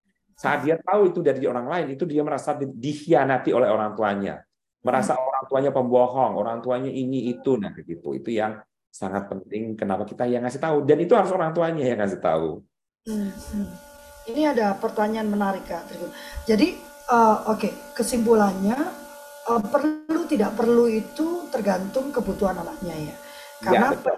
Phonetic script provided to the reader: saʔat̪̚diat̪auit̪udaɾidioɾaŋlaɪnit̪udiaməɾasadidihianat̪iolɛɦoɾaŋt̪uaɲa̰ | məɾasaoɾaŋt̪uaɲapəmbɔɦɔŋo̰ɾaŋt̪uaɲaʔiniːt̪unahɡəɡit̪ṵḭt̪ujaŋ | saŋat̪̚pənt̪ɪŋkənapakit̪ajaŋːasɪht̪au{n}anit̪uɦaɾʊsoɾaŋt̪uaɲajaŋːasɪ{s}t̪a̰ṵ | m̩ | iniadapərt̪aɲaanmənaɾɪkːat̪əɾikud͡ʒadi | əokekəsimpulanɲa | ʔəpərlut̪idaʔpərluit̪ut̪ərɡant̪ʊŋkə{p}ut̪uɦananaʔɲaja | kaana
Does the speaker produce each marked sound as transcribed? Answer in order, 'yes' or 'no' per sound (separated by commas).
no, no, no